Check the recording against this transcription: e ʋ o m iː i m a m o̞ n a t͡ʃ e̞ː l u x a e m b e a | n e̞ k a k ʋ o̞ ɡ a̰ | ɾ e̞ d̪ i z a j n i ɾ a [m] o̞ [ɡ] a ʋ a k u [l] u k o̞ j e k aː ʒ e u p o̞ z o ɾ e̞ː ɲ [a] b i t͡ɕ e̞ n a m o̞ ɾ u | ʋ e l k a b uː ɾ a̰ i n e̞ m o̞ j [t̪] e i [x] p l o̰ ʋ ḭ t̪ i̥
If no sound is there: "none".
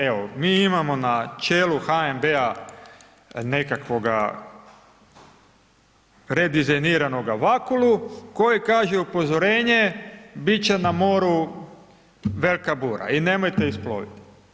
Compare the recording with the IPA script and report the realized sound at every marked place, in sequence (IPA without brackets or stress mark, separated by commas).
n, ɡ, l, e, t̪, s